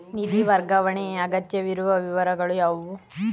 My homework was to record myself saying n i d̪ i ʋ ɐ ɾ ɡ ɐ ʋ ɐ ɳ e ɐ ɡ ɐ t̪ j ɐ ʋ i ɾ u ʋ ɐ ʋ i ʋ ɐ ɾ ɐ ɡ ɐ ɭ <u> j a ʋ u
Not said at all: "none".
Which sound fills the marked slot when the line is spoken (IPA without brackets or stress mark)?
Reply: u